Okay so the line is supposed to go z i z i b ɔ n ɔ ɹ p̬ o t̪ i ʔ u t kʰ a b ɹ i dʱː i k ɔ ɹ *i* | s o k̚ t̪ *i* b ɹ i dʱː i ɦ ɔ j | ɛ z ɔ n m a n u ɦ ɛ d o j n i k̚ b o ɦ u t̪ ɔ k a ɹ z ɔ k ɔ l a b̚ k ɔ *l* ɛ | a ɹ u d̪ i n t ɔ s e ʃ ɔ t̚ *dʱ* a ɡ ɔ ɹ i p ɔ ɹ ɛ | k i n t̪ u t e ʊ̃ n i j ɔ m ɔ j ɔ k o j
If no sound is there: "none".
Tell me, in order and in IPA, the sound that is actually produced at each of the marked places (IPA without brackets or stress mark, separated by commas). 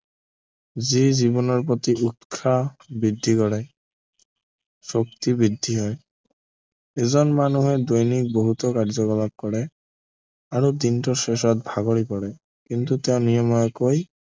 ɛ, i, ɹ, bʱ